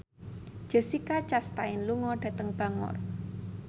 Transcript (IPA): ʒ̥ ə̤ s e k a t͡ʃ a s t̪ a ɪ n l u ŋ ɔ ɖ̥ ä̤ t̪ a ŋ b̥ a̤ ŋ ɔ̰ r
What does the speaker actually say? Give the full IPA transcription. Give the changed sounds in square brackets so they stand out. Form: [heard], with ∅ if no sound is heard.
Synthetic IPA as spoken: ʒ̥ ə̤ s [i] k a t͡ʃ a s t̪ a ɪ n l u ŋ ɔ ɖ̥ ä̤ t̪ [ə] ŋ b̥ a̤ ŋ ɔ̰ r